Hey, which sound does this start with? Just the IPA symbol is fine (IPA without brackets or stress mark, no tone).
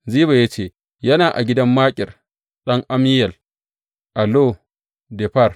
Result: z